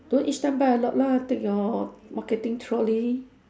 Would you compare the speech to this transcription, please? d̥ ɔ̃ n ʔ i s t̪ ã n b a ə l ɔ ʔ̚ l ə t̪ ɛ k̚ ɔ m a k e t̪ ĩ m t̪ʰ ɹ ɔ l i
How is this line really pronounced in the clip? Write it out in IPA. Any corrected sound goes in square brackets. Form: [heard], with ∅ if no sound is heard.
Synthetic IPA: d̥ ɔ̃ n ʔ i s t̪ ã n b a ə l ɔ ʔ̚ l [a] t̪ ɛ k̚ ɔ m a k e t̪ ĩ [ŋ] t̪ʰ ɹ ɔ l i